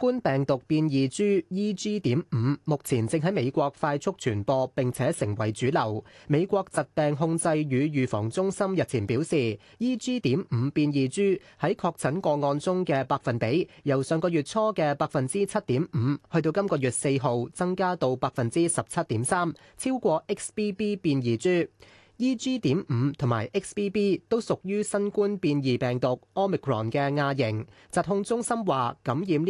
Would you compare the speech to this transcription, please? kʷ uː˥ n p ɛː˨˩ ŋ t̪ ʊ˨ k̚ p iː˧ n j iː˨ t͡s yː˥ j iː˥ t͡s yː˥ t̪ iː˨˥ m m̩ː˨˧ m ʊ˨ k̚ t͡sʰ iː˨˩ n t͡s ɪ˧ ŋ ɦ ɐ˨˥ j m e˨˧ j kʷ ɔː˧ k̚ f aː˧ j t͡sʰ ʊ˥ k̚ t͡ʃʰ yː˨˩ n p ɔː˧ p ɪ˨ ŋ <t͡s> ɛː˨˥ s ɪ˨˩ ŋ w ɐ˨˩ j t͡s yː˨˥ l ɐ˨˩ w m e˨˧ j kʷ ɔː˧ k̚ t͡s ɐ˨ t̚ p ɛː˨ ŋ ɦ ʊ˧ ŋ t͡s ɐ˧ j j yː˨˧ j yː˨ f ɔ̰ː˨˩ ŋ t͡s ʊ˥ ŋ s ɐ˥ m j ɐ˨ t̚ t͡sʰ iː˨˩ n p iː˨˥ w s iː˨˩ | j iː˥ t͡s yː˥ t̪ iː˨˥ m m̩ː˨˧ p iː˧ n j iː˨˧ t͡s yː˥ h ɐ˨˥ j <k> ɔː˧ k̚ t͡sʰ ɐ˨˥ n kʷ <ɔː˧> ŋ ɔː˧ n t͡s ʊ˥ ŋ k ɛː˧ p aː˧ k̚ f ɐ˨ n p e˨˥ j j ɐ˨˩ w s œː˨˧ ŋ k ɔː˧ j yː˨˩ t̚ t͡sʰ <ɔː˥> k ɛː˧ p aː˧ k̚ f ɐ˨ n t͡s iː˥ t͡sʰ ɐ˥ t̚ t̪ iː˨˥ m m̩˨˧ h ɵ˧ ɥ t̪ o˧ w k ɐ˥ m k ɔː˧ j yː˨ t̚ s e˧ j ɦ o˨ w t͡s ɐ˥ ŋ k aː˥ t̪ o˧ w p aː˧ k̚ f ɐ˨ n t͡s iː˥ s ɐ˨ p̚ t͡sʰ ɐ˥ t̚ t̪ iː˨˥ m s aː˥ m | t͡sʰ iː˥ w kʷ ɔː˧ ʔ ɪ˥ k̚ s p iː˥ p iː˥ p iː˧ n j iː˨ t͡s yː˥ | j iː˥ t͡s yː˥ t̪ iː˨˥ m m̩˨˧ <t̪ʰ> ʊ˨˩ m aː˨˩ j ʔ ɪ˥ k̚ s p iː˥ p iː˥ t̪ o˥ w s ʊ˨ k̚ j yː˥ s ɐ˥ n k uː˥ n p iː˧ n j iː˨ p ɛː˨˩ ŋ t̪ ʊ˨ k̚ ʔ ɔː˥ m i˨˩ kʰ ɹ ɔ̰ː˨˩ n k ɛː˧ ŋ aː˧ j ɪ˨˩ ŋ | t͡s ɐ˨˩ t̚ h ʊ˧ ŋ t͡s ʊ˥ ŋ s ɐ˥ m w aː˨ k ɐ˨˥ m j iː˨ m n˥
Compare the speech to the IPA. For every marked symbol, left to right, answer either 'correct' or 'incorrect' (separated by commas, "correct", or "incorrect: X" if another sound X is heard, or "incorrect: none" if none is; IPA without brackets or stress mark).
incorrect: t͡sʰ, incorrect: kʰ, correct, correct, correct